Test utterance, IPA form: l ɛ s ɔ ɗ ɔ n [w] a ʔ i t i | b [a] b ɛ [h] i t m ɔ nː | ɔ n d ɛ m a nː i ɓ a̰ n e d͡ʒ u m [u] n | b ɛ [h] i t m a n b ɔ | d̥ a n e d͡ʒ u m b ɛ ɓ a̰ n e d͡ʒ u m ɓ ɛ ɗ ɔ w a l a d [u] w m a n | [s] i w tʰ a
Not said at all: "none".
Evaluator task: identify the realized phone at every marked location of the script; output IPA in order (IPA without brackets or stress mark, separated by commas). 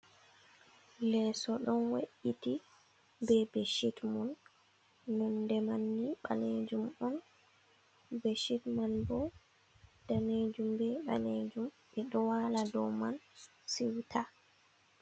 w, ɛ, ʃ, ɔ, ʃ, ɔ, s